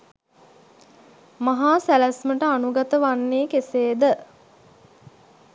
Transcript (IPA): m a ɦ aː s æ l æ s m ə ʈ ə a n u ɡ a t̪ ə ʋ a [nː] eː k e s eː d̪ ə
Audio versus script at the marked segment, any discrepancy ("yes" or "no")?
no